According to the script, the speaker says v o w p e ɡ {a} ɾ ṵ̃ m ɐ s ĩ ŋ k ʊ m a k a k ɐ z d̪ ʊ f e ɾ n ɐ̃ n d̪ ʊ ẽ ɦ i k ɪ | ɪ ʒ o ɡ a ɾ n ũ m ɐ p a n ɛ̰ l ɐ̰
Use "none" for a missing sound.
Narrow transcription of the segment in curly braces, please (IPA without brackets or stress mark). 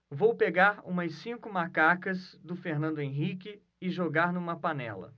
a